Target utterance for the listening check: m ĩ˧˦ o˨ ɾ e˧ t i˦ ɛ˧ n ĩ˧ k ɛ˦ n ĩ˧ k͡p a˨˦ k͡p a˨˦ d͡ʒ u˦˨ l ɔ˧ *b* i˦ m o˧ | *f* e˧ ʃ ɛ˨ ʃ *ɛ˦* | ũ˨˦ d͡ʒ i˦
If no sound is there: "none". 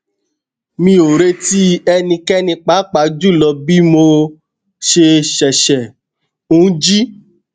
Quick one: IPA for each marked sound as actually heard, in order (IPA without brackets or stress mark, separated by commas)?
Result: b, ʃ, ɛ˨